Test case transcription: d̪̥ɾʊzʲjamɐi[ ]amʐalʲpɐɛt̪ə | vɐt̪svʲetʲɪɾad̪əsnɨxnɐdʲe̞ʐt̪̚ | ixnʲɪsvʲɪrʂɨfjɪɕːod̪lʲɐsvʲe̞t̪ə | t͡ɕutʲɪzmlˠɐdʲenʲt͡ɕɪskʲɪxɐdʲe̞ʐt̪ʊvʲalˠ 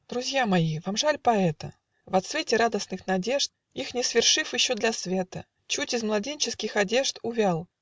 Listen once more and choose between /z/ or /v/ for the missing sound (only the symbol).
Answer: v